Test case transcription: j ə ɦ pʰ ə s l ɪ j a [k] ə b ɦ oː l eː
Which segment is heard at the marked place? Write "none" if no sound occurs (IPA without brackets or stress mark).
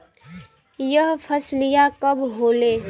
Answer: k